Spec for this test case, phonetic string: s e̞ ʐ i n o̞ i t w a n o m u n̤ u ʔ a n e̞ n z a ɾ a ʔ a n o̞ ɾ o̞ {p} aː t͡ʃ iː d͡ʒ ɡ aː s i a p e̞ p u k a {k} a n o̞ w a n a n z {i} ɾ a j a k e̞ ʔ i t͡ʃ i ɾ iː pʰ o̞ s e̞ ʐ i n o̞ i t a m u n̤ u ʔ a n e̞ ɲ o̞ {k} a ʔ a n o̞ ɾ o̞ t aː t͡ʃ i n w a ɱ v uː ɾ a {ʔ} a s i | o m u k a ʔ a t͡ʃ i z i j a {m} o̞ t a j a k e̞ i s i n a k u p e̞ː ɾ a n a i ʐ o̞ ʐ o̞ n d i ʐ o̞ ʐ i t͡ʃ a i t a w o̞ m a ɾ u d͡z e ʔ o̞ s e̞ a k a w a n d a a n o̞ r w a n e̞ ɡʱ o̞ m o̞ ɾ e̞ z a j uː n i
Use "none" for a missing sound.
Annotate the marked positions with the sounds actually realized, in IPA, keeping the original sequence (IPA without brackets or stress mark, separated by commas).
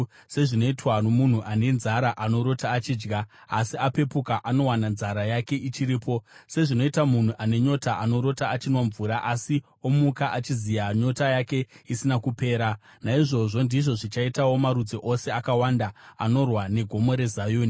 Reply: t, ʔ, a, t, ʔ, ɲ